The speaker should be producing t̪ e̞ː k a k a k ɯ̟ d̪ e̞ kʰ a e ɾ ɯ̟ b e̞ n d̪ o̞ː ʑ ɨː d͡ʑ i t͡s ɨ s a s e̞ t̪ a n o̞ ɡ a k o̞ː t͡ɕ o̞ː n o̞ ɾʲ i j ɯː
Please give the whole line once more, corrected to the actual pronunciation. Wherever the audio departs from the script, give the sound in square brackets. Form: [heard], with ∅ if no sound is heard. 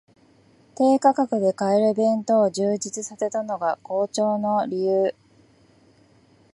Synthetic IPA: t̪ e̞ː k a k a k ɯ̟ d̪ e̞ [k] a e ɾ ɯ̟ b [ẽ̞] n [t̪] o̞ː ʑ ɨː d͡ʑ i t͡s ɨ s a s e̞ t̪ a n o̞ ɡ a k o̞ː t͡ɕ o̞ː n o̞ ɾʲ i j ɯː